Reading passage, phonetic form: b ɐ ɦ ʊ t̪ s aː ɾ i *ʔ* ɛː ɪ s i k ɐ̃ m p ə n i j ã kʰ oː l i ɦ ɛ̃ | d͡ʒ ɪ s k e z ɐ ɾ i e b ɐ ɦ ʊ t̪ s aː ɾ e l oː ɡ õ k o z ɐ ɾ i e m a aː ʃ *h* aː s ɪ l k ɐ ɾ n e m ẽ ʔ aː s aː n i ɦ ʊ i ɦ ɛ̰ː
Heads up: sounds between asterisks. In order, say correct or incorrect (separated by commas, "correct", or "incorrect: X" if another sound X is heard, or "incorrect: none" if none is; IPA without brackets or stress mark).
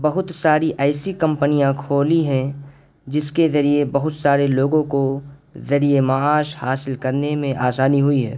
correct, correct